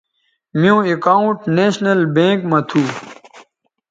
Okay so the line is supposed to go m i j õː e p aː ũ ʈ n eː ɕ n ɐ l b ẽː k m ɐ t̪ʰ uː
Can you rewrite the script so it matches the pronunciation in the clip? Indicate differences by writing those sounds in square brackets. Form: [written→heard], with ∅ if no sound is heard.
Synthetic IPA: m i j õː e [p→k] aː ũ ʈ n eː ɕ n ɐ l b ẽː k m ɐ t̪ʰ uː